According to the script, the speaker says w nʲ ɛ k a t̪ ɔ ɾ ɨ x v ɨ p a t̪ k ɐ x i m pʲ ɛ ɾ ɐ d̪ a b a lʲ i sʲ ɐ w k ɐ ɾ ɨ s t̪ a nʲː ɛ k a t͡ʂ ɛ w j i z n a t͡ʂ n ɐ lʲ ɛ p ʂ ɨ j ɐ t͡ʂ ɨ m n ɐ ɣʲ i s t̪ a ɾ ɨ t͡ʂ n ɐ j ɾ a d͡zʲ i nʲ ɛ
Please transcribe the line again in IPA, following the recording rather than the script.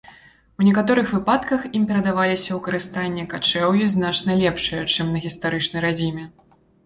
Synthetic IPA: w nʲ ɛ k a t̪ ɔ ɾ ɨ x v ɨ p a t̪ k ɐ x i m pʲ ɛ ɾ ɐ d̪ a v a lʲ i sʲ ɐ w k ɐ ɾ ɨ s t̪ a nʲː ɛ k a t͡ʂ ɛ w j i z n a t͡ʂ n ɐ lʲ ɛ p ʂ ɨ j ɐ t͡ʂ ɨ m n ɐ ɣʲ i s t̪ a ɾ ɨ t͡ʂ n ɐ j ɾ a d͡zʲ i mʲ ɛ